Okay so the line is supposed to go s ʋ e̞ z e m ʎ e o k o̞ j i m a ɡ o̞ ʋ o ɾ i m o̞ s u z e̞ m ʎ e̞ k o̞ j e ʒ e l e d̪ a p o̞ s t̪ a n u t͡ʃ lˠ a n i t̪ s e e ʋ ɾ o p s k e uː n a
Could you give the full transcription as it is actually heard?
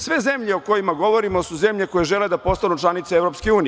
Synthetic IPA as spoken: s ʋ e̞ z e m ʎ e o k o̞ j i m a ɡ o̞ ʋ o ɾ i m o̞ s u z e̞ m ʎ e̞ k o̞ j e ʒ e l e d̪ a p o̞ s t̪ a n u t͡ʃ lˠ a n i t̪ s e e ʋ ɾ o p s k e uː n i